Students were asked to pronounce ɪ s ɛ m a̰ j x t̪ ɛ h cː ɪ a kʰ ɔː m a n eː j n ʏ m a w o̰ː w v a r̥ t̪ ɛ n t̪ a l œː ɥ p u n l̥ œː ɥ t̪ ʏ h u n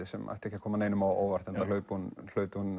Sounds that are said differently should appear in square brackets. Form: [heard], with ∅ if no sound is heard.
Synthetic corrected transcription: ɪ s ɛ m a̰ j [h] t̪ ɛ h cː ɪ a kʰ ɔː m a n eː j n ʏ m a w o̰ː w v a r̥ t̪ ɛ n t̪ a l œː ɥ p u n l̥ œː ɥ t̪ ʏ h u n